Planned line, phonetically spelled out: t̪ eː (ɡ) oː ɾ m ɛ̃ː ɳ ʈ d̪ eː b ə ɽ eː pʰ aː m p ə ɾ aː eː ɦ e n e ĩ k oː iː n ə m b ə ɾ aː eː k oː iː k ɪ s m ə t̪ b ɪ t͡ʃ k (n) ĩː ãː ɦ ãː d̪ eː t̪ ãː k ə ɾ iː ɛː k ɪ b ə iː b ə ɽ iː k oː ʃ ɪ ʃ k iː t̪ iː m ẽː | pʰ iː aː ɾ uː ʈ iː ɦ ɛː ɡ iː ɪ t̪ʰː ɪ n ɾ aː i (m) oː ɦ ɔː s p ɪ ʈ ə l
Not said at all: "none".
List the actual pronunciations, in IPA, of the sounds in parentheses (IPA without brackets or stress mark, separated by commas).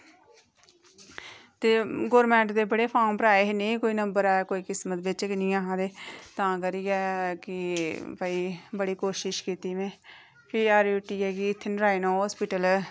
ɡ, n, n